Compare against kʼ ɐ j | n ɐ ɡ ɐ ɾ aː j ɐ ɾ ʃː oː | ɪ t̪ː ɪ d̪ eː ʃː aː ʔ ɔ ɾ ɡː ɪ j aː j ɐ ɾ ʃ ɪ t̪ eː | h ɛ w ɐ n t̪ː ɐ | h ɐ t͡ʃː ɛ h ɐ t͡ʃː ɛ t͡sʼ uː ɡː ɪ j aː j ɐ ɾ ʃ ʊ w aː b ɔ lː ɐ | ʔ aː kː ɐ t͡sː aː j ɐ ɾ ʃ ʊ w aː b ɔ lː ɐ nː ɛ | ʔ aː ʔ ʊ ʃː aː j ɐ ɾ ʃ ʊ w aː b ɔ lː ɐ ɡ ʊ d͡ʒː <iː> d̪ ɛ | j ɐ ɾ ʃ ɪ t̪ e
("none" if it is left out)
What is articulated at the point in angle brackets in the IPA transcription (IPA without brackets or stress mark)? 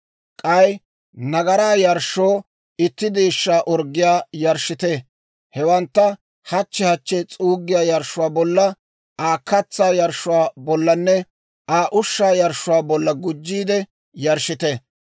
iː